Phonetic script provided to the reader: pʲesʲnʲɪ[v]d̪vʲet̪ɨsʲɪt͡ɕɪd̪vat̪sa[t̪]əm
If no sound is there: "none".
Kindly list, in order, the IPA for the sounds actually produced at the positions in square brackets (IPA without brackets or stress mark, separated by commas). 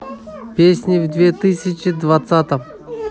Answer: v, t̪